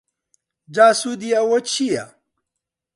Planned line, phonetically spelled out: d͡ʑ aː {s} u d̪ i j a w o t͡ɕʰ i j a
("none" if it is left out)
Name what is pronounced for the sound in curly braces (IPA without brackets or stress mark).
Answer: s